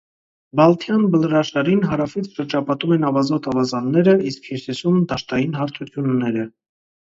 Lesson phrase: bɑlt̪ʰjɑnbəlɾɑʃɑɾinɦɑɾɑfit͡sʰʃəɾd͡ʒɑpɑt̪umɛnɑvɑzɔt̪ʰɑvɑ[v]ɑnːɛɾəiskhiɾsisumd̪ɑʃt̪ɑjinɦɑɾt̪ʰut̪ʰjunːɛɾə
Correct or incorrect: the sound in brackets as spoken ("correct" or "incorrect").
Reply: incorrect